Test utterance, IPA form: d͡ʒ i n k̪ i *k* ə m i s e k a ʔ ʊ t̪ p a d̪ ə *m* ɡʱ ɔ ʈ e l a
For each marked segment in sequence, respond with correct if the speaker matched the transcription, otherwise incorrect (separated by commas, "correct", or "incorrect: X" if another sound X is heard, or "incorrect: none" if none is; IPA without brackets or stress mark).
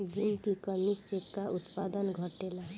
correct, incorrect: n